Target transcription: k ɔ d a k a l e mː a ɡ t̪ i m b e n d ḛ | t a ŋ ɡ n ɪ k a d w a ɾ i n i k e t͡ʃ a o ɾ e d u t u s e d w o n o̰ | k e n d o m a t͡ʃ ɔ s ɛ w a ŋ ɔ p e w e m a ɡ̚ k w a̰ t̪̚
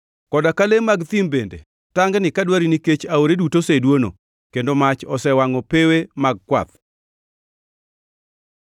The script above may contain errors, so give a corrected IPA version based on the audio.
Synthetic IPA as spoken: k ɔ d a k a l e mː a ɡ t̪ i m b e n d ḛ | t a ŋ ɡ n ɪ k a d w a ɾ i n i k e t͡ʃ a o ɾ e d u t o s e d w o n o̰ | k e n d o m a t͡ʃ ɔ s ɛ w a ŋ ɔ p e w e m a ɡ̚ k w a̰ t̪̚

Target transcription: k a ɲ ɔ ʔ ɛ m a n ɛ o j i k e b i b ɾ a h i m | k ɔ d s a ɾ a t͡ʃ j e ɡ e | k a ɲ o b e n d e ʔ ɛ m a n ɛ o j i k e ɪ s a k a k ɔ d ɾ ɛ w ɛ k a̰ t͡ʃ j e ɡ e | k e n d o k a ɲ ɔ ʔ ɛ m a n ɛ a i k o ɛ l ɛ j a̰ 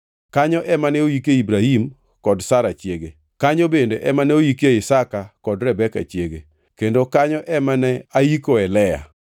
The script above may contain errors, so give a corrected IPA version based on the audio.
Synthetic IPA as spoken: k a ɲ ɔ ʔ ɛ m a n ɛ o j i k e i b ɾ a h i m | k ɔ d s a ɾ a t͡ʃ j e ɡ e | k a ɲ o b e n d e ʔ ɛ m a n ɛ o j i k e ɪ s a k a k ɔ d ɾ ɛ b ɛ k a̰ t͡ʃ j e ɡ e | k e n d o k a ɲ ɔ ʔ ɛ m a n ɛ a i k o ɛ l ɛ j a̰

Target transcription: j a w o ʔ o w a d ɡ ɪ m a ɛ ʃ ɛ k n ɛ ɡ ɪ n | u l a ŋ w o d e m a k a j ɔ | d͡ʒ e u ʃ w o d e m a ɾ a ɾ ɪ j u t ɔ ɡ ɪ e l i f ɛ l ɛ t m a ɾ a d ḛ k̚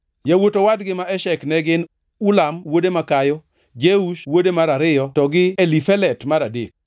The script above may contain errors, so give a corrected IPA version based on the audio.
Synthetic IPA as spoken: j a w o t o w a d ɡ ɪ m a ɛ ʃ ɛ k n ɛ ɡ ɪ n | u l a m w o d e m a k a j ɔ | d͡ʒ e u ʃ w o d e m a ɾ a ɾ ɪ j ɔ t ɔ ɡ ɪ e l i f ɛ l ɛ t m a ɾ a d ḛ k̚

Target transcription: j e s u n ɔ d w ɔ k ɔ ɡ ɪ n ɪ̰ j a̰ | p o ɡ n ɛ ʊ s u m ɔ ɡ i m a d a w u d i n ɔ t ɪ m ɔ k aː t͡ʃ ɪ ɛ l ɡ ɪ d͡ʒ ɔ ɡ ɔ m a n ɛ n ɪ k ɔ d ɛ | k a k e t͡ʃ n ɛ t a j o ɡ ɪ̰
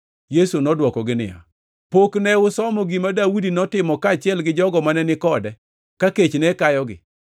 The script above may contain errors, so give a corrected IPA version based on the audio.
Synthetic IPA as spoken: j e s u n ɔ d w ɔ k ɔ ɡ ɪ n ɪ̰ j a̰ | p o k n ɛ ʊ s ɔ m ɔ ɡ i m a d a w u d i n ɔ t ɪ m ɔ k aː t͡ʃ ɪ ɛ l ɡ ɪ d͡ʒ ɔ ɡ ɔ m a n ɛ n ɪ k ɔ d ɛ | k a k e t͡ʃ n ɛ k a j ɔ ɡ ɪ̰

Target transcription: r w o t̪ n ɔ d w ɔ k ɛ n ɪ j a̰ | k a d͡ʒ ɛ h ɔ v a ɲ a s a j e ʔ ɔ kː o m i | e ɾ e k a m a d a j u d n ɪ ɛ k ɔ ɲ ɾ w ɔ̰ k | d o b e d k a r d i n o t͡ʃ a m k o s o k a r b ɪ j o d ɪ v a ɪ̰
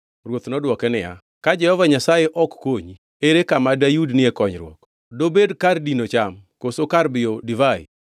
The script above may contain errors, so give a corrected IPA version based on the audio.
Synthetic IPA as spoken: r w o t̪ n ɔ d w ɔ k ɛ n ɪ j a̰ | k a d͡ʒ ɛ h ɔ v a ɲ a s a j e ʔ ɔ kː o ɲ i | e ɾ e k a m a d a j u d n ɪ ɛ k ɔ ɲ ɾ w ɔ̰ k | d o b e d k a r d i n o t͡ʃ a m k o s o k a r b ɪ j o d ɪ v a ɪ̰

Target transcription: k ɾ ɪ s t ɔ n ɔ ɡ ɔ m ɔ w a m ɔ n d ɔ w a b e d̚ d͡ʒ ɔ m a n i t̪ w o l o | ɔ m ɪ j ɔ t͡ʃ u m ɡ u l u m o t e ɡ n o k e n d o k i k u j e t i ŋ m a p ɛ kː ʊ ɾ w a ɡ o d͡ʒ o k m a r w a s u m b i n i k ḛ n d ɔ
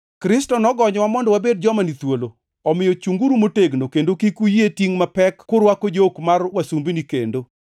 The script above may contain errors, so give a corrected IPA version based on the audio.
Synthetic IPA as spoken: k ɾ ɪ s t ɔ n ɔ ɡ ɔ ɲ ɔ w a m ɔ n d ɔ w a b e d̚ d͡ʒ ɔ m a n i t̪ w o l o | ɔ m ɪ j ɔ t͡ʃ u ŋ ɡ u ɾ u m o t e ɡ n o k e n d o k i k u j e t i ŋ m a p ɛ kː ʊ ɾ w a k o d͡ʒ o k m a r w a s u m b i n i k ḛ n d o

